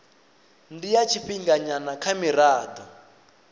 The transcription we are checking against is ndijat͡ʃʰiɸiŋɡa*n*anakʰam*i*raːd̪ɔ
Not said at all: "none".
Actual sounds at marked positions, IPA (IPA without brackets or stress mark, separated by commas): ɲ, i